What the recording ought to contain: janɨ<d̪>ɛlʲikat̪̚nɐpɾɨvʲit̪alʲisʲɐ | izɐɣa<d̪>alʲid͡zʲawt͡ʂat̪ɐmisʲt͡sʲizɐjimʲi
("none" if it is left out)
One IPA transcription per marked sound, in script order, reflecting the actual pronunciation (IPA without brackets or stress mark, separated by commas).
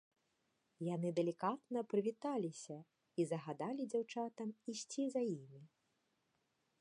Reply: d̪, d̪